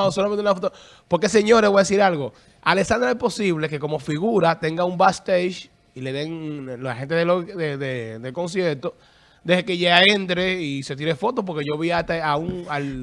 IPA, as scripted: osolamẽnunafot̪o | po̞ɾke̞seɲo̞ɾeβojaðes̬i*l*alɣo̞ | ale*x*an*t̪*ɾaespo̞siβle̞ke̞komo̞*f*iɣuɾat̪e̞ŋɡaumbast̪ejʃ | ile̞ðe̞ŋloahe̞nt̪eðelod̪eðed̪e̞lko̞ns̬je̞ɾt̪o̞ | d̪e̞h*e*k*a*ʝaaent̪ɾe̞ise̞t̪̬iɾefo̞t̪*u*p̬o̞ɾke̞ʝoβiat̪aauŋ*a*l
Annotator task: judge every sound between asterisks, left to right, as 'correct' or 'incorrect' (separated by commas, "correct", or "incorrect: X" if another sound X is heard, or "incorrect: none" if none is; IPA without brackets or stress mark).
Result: incorrect: ɾ, incorrect: s, incorrect: d̪, correct, correct, incorrect: e, incorrect: o, correct